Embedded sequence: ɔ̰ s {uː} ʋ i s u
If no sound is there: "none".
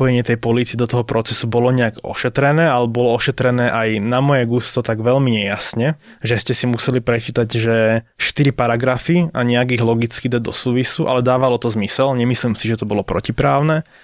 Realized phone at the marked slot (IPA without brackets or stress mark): uː